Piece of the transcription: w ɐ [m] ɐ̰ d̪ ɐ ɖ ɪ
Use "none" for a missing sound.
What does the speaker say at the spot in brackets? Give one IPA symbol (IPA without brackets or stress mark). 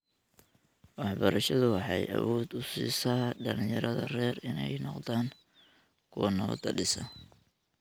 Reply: n